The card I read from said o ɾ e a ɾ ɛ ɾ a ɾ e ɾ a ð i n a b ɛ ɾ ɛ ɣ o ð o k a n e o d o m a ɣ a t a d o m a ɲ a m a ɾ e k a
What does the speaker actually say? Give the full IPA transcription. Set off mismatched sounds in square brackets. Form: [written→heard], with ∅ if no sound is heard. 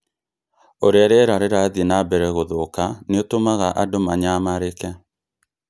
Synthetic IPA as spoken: o ɾ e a ɾ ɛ ɾ a ɾ e ɾ a ð i n a b ɛ ɾ ɛ ɣ o ð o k a n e o [d→t] o m a ɣ a [t→ʔ] a d o m a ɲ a m a ɾ e k [a→ɛ]